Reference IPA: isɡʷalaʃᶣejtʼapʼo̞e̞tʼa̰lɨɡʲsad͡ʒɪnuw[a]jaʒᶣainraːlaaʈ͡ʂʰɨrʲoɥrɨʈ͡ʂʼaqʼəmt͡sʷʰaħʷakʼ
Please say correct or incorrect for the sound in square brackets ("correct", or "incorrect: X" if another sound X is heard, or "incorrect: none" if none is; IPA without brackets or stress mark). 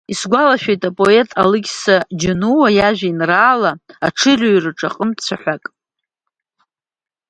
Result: correct